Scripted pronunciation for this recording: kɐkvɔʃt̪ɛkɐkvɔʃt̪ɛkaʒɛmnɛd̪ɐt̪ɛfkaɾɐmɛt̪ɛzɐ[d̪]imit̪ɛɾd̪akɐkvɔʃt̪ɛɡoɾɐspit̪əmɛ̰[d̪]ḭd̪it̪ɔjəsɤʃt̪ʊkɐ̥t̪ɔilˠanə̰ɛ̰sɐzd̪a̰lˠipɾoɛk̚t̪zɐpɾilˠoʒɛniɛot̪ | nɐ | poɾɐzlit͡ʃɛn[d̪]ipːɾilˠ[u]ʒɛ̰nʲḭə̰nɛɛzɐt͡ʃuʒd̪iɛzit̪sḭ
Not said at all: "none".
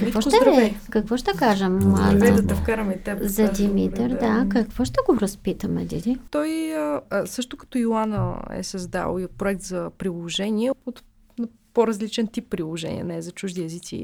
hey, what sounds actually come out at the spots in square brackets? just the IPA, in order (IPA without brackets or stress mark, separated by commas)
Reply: d̪, d̪, t̪, o